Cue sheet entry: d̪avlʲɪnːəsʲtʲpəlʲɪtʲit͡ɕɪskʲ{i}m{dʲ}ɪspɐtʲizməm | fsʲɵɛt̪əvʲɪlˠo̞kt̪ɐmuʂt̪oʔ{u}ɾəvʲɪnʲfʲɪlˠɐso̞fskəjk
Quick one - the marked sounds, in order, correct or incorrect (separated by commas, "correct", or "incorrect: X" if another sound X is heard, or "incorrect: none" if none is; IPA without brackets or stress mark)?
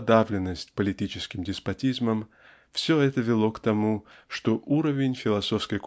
incorrect: ɪ, correct, correct